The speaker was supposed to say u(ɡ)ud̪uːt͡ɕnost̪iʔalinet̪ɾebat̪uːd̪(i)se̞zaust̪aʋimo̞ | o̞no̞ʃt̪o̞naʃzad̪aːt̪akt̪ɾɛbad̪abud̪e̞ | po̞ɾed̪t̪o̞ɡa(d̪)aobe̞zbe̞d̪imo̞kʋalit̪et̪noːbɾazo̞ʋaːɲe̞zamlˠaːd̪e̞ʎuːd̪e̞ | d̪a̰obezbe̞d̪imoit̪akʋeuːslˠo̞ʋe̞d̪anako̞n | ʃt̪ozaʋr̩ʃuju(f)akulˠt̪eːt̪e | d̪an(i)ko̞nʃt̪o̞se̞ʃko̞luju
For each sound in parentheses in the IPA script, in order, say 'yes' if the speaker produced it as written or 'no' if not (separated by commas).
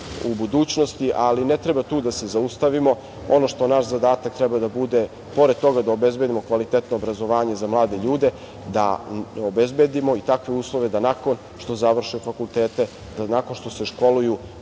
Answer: no, no, yes, yes, no